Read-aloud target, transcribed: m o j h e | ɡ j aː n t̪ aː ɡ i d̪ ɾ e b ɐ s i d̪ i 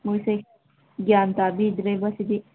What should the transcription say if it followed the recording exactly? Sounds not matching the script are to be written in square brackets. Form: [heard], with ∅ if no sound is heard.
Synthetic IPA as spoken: m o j [s] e | ɡ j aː n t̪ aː [b] i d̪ ɾ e b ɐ s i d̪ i